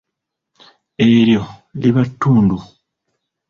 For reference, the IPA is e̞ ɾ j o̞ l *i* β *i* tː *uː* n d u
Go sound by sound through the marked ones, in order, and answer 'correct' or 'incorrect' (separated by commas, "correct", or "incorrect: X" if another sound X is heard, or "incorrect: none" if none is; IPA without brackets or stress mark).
correct, incorrect: a, correct